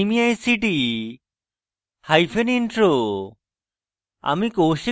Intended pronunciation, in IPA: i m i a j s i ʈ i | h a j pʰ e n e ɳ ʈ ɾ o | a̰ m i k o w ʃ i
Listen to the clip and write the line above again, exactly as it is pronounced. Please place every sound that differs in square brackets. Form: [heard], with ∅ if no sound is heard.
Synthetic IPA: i m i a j s i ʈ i | h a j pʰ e n [i] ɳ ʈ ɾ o | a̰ m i k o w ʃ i